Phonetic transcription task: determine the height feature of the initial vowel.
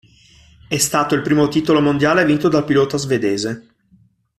mid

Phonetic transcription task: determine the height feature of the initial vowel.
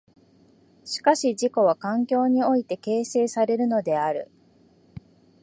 high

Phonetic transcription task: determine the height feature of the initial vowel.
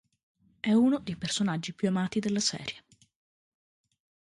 mid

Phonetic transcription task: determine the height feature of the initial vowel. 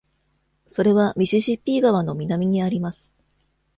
mid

